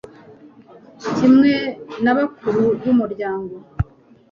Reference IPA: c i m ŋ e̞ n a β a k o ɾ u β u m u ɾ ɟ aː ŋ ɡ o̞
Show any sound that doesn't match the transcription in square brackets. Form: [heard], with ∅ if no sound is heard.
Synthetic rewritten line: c i m ŋ e̞ n a β a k [u] ɾ u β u m u ɾ ɟ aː ŋ ɡ o̞